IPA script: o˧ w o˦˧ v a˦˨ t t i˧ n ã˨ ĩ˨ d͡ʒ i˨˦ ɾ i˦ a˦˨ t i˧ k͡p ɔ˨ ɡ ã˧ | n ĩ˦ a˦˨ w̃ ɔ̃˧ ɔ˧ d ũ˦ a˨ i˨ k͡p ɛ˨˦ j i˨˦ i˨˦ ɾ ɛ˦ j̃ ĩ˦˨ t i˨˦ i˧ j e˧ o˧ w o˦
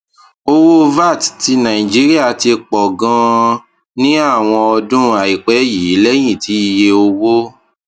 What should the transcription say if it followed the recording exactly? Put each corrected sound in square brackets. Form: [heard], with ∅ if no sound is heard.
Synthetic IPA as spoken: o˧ w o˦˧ v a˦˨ t t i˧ n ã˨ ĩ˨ d͡ʒ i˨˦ ɾ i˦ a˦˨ t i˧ k͡p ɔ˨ ɡ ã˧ | n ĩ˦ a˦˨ w̃ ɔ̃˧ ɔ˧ d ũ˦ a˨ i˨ k͡p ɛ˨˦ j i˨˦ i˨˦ [l] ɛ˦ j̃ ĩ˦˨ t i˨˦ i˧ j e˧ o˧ w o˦